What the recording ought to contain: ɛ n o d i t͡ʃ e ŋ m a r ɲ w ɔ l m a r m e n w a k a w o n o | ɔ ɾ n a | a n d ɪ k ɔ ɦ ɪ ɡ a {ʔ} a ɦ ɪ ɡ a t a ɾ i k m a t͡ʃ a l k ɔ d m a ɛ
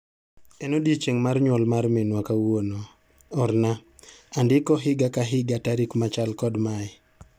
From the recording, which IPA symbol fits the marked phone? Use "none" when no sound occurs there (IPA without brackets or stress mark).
k